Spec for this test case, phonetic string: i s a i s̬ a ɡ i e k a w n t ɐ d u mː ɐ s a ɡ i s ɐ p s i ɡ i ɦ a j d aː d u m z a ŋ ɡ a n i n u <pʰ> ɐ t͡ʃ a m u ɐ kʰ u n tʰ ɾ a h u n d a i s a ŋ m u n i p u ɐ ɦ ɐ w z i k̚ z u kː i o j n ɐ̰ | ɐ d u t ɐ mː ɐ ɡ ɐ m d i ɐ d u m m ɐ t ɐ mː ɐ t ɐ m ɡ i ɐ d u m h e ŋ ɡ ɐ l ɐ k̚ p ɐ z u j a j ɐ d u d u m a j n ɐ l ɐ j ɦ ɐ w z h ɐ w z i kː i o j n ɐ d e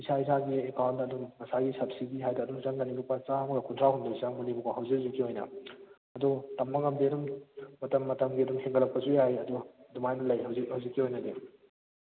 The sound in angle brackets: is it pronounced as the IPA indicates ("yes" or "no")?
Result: no